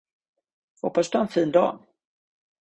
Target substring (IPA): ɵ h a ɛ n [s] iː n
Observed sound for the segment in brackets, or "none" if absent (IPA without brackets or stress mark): f